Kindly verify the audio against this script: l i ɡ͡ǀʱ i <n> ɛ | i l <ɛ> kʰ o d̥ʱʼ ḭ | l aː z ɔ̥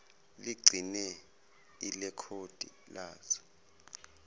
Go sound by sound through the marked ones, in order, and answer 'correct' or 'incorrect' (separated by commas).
correct, correct